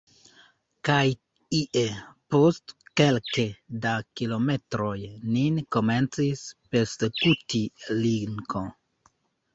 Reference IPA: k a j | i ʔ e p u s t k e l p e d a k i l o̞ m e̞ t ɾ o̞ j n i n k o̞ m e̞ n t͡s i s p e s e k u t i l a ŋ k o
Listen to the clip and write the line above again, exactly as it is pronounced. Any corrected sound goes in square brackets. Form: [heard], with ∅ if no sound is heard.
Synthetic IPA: k a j | i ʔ e p [o] s t k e l [k] e d a k i l o̞ m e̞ t ɾ o̞ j n i n k o̞ m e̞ n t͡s i s p e s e k u t i l [i] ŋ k o